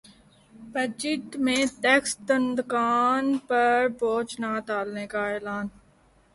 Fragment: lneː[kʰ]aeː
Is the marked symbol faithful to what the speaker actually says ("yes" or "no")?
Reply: no